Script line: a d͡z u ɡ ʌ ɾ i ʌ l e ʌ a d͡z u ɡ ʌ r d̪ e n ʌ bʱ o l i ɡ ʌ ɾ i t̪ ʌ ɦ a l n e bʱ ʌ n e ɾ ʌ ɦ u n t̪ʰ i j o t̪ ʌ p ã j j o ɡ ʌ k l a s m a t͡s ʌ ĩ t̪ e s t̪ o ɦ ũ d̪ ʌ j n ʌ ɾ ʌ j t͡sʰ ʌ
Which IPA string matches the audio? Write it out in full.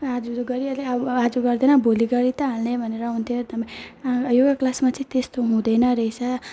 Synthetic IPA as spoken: a d͡z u ɡ ʌ ɾ i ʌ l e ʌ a d͡z u ɡ ʌ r d̪ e n ʌ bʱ o l i ɡ ʌ ɾ i t̪ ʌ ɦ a l n e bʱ ʌ n e ɾ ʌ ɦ u n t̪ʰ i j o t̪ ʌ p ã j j o ɡ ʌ k l a s m a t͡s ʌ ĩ t̪ e s t̪ o ɦ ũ d̪ ʌ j n ʌ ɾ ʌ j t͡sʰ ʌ